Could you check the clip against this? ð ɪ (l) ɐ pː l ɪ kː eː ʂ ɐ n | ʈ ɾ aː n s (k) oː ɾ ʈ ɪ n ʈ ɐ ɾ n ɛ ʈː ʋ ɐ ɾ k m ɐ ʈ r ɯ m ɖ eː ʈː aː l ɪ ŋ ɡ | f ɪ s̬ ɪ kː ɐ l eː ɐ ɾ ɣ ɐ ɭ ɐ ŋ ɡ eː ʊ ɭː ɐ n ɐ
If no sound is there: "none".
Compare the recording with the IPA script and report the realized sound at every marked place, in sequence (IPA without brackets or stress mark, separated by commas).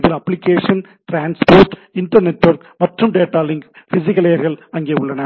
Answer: l, p